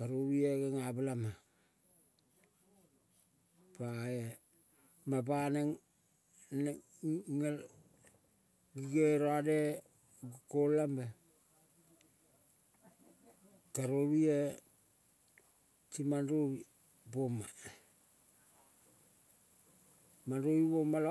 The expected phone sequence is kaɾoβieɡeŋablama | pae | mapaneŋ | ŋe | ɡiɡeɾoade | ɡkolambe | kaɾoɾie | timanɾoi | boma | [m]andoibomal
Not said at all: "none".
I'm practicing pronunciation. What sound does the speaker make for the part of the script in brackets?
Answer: m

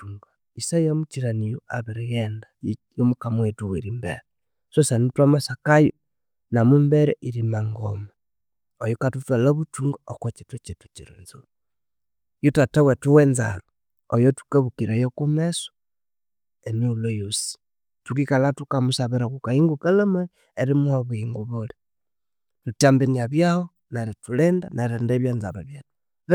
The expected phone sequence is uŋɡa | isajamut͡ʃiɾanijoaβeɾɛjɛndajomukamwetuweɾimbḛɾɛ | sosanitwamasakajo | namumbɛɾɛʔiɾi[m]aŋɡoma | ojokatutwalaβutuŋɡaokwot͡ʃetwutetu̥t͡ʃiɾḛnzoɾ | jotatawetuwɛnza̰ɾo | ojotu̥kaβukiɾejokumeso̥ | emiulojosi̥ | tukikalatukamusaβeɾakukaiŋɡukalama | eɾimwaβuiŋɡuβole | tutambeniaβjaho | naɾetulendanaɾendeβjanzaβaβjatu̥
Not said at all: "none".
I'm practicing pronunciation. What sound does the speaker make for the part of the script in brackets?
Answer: m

